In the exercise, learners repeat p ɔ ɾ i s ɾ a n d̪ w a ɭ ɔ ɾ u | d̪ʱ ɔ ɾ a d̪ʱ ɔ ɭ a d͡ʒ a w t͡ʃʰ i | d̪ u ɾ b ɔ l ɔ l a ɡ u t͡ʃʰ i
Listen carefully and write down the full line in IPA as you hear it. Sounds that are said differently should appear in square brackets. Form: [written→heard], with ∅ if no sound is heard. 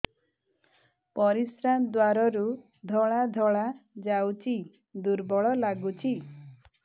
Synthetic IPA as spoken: p ɔ ɾ i s ɾ a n d̪ w a [ɭ→ɾ] ɔ ɾ u | d̪ʱ ɔ [ɾ→ɭ] a d̪ʱ ɔ ɭ a d͡ʒ a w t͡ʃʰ i | d̪ u ɾ b ɔ [l→ɭ] ɔ l a ɡ u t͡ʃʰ i

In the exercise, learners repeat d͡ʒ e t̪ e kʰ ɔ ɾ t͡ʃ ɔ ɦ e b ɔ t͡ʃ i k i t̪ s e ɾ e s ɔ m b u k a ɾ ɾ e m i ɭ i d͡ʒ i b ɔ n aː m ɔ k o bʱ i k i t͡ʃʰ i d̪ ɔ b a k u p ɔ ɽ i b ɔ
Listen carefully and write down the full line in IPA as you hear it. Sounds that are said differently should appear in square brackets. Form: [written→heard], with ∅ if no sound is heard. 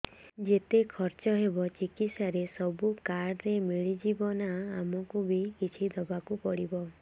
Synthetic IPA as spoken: d͡ʒ e t̪ e kʰ ɔ ɾ t͡ʃ ɔ ɦ e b ɔ t͡ʃ i k i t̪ s [e→a] ɾ e s ɔ [m→∅] b u k a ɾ ɾ e m i ɭ i d͡ʒ i b ɔ n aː m ɔ k [o→u] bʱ i k i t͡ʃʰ i d̪ ɔ b a k u p ɔ ɽ i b ɔ

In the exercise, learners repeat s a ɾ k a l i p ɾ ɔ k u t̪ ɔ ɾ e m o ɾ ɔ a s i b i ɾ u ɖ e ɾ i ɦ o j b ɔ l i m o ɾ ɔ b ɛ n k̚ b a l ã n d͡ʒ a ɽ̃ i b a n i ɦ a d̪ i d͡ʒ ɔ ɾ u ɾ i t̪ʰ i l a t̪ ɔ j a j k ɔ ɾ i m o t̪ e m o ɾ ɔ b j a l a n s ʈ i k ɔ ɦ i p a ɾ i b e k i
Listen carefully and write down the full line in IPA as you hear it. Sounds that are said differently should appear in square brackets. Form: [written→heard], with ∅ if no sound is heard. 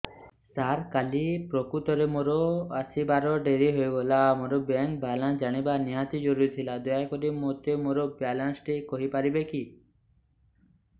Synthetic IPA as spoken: s a ɾ k a l i p ɾ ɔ k u t̪ ɔ ɾ e m o ɾ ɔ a s i b [i→a] ɾ [u→ɔ] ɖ e ɾ i ɦ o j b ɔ l [i→a] m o ɾ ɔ b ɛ [n→ŋ] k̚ b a l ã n d͡ʒ a ɽ̃ i b a n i ɦ a [d̪→t̪] i d͡ʒ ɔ ɾ u ɾ i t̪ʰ i l a [t̪→d̪] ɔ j a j k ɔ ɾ i m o t̪ e m o ɾ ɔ b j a l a n s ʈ i k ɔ ɦ i p a ɾ i b e k i

